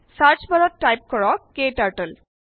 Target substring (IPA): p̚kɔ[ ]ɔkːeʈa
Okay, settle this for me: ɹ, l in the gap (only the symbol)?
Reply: ɹ